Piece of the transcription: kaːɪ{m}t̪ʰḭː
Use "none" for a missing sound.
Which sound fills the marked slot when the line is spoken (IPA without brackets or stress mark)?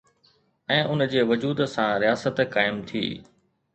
m